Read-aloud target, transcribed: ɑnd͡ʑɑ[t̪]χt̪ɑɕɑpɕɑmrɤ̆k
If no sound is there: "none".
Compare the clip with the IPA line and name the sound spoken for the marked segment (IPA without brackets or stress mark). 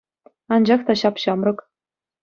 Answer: none